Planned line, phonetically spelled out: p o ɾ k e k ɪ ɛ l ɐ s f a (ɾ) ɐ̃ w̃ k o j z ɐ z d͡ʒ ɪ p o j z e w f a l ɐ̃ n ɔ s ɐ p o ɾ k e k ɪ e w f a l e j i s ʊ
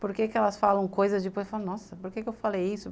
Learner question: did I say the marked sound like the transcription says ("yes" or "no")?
no